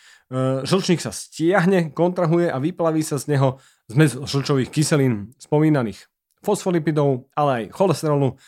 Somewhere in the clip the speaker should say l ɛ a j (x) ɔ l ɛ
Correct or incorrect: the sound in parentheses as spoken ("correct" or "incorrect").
correct